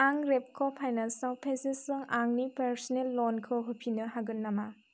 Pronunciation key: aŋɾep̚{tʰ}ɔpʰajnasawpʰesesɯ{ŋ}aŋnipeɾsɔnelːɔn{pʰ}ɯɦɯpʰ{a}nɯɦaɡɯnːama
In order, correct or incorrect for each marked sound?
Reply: incorrect: kʰ, correct, incorrect: kʰ, incorrect: i

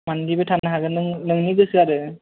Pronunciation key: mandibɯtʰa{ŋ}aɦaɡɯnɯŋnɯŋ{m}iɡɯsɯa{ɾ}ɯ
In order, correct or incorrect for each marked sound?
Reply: incorrect: n, incorrect: n, correct

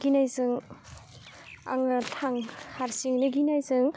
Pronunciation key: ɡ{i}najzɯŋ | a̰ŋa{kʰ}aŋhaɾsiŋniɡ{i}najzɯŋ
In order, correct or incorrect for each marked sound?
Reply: correct, incorrect: tʰ, correct

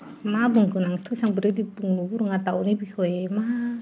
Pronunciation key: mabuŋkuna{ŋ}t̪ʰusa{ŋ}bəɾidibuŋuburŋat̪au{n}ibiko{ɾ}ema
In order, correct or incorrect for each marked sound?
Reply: correct, correct, correct, incorrect: none

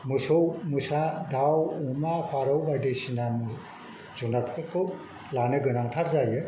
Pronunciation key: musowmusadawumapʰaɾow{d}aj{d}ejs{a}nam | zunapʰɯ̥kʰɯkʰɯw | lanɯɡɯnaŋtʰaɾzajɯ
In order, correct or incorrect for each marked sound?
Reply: incorrect: b, correct, incorrect: i

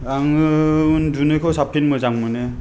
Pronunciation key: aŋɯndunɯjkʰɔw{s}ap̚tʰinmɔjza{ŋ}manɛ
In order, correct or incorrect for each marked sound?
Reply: correct, correct

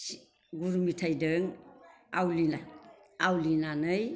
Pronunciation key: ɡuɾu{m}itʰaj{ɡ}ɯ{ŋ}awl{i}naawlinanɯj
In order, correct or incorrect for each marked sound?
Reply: correct, incorrect: d, correct, correct

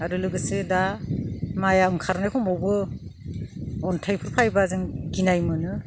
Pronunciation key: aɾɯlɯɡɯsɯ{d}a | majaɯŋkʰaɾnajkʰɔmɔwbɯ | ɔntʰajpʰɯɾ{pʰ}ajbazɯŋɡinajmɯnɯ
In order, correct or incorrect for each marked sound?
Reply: correct, correct

